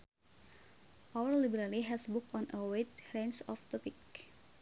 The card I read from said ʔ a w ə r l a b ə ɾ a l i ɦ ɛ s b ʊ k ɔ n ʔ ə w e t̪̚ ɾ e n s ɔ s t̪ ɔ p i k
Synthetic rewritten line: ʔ a w ə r l i b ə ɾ a l i ɦ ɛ s b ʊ k ɔ n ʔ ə w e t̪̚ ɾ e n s ɔ f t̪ ɔ p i k